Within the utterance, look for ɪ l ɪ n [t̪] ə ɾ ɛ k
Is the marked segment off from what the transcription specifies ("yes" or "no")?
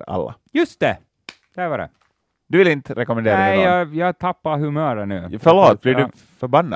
no